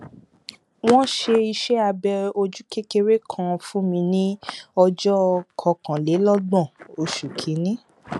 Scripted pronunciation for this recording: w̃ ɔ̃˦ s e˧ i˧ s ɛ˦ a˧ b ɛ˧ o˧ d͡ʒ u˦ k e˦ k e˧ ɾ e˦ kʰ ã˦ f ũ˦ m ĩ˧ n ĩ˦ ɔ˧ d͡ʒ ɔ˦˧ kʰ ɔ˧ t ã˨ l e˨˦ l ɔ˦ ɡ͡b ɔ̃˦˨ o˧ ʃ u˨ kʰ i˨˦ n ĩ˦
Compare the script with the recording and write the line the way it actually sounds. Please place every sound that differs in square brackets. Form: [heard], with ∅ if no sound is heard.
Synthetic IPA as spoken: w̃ ɔ̃˦ [ʃ] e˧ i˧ [ʃ] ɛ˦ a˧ b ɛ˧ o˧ d͡ʒ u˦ k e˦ k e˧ ɾ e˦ kʰ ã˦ f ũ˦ m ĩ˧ n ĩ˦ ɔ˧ d͡ʒ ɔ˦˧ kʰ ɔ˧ [k] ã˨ l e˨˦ l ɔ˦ ɡ͡b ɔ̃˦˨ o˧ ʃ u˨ kʰ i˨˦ n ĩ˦